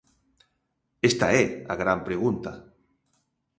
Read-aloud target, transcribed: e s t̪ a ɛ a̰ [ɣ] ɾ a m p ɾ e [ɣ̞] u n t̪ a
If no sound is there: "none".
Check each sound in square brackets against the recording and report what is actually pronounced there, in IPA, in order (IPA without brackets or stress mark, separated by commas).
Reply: ɣ, ɣ̞